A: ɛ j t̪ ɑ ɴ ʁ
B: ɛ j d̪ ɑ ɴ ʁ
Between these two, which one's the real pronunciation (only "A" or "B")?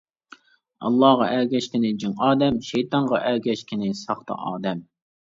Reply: A